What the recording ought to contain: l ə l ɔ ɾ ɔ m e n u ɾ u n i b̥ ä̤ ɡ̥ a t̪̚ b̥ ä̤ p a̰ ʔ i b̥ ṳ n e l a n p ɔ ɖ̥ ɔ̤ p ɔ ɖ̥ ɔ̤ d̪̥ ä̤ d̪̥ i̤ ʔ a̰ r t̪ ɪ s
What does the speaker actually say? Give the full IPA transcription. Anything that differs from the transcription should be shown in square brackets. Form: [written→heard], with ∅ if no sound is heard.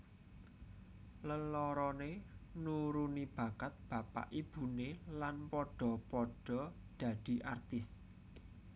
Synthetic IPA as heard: l ə l ɔ ɾ ɔ [m→n] e n u ɾ u n i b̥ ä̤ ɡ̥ a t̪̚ b̥ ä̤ p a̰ ʔ i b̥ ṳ n e l a n p ɔ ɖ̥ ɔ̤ p ɔ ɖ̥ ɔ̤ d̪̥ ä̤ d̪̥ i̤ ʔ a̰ r t̪ ɪ s